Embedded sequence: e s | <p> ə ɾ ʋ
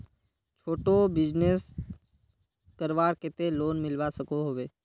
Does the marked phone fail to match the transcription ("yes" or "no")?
yes